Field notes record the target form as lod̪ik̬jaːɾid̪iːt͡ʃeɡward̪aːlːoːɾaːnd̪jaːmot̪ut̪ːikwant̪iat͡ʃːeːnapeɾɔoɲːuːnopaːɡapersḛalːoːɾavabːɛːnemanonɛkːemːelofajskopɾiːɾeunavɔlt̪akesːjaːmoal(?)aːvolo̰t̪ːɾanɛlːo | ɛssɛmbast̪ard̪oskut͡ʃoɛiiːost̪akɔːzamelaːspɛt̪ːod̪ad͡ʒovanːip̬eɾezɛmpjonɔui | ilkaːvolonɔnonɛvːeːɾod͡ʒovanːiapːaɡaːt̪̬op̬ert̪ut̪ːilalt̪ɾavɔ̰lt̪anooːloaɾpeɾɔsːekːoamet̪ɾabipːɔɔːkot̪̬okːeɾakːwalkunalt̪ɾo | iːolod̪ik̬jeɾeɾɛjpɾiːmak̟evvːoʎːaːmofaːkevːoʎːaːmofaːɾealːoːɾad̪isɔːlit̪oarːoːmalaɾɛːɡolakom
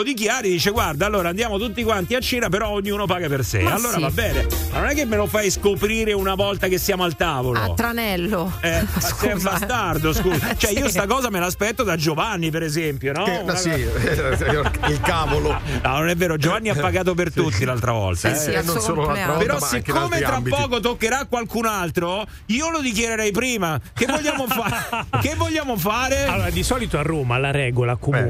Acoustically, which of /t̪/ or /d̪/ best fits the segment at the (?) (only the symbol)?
t̪